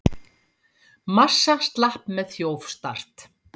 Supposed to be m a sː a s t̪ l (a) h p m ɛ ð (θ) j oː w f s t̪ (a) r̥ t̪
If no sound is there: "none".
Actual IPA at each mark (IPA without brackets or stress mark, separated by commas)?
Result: a, θ, a